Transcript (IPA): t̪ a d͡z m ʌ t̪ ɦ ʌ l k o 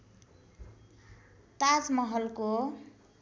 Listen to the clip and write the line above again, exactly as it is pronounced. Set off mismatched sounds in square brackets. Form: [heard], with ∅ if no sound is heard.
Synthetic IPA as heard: t̪ a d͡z m ʌ [∅] ɦ ʌ l k o